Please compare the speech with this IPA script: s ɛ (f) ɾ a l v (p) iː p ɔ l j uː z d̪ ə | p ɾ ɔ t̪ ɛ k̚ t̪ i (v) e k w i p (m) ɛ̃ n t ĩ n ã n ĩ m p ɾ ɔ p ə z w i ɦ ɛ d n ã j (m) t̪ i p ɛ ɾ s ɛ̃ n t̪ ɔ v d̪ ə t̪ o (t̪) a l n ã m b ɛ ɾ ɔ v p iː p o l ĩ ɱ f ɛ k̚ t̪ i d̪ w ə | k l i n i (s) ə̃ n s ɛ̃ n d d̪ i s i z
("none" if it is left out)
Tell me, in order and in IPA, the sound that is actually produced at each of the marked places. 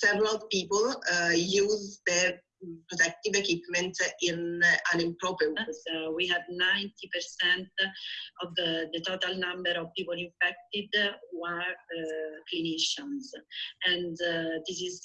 v, p, v, m, n, t̪, ʃ

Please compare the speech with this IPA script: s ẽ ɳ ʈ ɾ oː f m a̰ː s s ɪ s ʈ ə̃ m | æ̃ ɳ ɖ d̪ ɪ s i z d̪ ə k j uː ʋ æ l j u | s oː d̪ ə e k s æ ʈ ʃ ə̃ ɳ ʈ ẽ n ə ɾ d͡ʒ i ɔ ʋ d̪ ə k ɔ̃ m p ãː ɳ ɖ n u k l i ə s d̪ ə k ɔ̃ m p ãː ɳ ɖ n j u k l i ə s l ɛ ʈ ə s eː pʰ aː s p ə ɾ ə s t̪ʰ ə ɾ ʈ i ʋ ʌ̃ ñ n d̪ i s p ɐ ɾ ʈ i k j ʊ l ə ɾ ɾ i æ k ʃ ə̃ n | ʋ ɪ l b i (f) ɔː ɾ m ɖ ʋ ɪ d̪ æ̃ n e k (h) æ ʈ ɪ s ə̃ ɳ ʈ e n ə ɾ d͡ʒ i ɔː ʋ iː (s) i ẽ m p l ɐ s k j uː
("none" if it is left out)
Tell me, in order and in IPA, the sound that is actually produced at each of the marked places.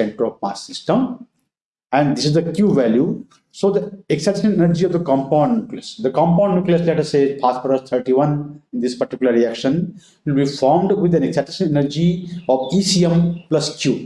f, s, s

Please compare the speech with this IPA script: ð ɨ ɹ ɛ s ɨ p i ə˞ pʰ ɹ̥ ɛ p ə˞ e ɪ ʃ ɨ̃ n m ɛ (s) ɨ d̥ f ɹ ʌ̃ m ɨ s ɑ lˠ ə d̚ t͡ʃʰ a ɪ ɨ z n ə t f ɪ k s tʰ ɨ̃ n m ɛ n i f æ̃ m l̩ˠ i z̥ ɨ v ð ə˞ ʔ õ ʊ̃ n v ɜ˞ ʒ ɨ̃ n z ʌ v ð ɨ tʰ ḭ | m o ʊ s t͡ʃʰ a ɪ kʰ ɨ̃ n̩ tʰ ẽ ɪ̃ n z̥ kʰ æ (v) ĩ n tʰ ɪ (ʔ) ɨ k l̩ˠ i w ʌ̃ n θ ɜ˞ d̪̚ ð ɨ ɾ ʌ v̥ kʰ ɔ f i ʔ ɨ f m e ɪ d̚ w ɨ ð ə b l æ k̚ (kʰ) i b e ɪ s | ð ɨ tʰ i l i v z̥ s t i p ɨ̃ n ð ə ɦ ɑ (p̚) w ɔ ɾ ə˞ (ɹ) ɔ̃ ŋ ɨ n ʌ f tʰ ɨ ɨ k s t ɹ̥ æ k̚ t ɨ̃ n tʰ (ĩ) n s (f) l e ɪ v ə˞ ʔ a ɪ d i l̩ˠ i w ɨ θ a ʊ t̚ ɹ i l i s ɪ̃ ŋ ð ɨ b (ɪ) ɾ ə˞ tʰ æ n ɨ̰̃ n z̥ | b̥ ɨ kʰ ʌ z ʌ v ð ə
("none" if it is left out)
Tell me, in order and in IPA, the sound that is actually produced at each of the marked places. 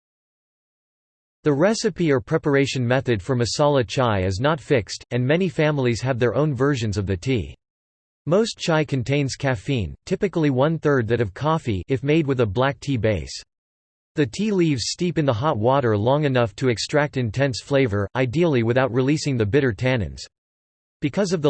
θ, f, p, tʰ, t̚, l, ɛ̃, f, ɪ

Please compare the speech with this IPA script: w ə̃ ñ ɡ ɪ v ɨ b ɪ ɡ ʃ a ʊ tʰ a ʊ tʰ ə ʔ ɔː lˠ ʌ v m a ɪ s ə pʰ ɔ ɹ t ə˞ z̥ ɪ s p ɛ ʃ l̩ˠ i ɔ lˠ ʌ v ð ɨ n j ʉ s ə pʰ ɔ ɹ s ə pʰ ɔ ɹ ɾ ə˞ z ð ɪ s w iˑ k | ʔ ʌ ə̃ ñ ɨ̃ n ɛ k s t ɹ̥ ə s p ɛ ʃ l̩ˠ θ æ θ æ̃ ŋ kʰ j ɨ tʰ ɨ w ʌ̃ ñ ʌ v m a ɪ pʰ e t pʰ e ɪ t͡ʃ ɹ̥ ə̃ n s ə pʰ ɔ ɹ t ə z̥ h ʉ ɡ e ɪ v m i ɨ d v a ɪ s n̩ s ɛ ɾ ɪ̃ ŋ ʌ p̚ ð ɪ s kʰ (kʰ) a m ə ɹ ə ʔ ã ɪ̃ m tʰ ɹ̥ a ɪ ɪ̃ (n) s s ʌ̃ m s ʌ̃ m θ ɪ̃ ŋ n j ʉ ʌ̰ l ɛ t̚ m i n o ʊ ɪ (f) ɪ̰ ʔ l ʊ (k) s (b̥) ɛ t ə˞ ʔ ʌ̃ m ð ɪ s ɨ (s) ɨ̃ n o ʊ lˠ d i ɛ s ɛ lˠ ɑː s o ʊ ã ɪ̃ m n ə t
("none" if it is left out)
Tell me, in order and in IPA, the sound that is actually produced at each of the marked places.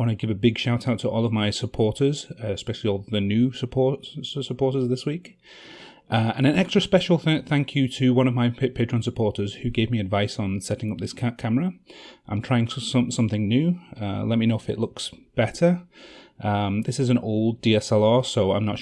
kʰ, ŋ, f, k, b̥, z

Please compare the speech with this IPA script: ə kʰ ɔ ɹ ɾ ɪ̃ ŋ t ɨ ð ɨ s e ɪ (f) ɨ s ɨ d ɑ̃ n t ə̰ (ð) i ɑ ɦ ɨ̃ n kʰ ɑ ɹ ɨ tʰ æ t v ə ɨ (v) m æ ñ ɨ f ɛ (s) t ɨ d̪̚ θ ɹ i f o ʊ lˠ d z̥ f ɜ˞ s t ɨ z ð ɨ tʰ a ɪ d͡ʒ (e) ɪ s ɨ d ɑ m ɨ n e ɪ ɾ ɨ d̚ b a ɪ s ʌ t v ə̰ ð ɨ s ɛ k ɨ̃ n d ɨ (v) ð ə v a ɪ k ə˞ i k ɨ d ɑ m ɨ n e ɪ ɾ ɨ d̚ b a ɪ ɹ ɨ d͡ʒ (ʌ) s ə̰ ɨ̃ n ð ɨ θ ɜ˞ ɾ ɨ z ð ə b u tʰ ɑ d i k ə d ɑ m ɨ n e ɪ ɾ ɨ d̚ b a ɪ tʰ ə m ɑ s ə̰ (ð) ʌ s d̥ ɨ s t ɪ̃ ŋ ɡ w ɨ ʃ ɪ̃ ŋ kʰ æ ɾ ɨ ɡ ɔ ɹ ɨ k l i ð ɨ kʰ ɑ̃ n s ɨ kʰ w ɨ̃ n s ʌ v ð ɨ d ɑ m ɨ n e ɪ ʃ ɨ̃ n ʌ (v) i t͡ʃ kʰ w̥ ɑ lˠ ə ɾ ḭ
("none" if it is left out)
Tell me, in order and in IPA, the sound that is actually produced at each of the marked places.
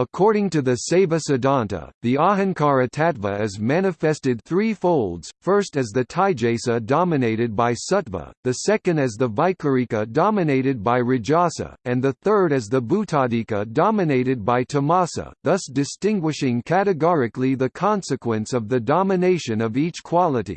v, ð, z, s, e, z, ɑ, ð, v

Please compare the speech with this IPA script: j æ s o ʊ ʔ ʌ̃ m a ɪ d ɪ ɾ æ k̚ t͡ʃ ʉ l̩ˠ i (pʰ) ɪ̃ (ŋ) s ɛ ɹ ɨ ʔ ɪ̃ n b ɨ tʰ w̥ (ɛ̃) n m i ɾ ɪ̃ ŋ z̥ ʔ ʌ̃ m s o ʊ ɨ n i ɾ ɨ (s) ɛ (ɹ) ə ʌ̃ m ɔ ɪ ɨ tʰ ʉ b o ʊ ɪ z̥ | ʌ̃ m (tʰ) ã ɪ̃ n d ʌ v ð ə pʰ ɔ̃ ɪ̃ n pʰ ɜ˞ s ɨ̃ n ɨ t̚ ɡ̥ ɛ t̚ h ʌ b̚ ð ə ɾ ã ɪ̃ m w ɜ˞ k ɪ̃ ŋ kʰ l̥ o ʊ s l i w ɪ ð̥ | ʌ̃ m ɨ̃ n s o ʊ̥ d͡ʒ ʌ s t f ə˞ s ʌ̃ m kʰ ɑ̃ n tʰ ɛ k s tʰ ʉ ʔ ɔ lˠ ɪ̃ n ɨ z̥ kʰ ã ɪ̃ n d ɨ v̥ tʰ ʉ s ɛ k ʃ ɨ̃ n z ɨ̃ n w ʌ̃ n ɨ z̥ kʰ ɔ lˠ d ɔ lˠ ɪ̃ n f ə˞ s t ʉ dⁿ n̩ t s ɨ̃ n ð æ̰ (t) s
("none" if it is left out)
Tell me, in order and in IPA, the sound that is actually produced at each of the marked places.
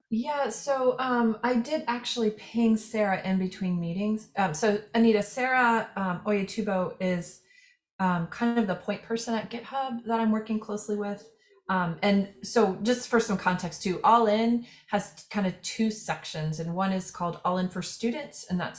pʰ, ŋ, ĩ, s, ɹ, kʰ, t

